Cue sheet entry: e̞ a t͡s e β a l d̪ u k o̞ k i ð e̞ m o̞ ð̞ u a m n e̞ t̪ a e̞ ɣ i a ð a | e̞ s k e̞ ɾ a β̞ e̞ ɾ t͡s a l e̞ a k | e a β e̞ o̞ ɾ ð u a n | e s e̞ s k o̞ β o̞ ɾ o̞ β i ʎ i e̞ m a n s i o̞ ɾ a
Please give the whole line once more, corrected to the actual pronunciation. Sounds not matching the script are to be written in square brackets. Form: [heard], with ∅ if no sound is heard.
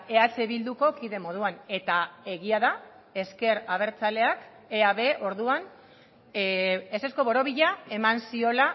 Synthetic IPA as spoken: e̞ a t͡s e β [i] l d̪ u k o̞ k i ð e̞ m o̞ ð̞ u a [∅] n e̞ t̪ a e̞ ɣ i a ð a | e̞ s k e̞ ɾ a β̞ e̞ ɾ t͡s a l e̞ a k | e a β e̞ o̞ ɾ ð u a n | e s e̞ s k o̞ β o̞ ɾ o̞ β i ʎ [a] e̞ m a n s i o̞ [l] a